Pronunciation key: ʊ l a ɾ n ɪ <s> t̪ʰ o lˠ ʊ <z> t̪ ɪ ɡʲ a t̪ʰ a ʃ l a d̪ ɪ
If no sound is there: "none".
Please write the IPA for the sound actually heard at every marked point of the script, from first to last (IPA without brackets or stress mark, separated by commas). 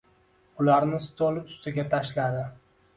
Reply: s, s